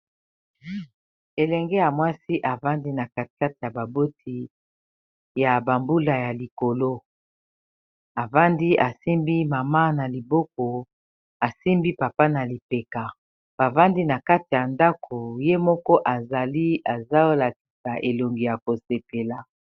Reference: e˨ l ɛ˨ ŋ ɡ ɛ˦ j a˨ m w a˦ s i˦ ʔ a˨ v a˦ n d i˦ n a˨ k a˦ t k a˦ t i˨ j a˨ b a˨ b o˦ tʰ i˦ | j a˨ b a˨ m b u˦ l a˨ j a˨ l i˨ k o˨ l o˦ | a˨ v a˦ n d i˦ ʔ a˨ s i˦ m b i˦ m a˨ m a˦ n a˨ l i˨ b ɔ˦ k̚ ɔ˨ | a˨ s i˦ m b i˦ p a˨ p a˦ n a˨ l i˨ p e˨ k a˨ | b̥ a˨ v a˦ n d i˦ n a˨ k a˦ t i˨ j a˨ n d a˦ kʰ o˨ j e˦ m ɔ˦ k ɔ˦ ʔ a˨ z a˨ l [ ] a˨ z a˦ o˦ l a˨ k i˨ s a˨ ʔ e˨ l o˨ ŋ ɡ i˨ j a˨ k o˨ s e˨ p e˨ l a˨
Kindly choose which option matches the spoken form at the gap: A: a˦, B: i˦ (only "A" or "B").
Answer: B